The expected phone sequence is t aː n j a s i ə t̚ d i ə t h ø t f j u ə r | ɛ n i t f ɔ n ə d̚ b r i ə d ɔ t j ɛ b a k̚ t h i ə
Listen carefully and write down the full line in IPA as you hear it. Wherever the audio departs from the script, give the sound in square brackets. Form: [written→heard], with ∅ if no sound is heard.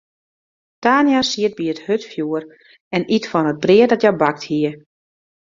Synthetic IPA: t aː n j a s i ə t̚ [d→b] i ə t h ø t f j u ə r | ɛ n i t f ɔ n ə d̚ b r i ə d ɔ t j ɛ b a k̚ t h i ə